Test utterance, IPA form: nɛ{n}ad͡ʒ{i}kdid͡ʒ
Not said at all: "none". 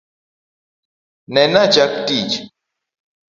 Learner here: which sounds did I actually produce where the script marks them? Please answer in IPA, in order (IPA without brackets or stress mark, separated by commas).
n, a